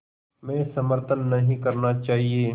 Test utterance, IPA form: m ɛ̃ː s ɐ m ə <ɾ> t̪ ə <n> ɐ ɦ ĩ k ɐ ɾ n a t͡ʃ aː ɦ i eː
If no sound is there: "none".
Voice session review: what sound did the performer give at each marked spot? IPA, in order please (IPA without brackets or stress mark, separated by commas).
ɾ, nː